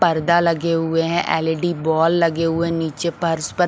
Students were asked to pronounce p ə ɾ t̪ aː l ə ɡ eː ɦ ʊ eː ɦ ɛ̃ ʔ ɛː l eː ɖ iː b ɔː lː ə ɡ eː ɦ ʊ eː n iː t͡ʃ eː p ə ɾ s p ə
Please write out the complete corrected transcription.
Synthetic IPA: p ə ɾ d̪ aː l ə ɡ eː ɦ ʊ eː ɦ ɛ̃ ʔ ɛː l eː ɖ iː b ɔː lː ə ɡ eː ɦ ʊ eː n iː t͡ʃ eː p ə ɾ s p ə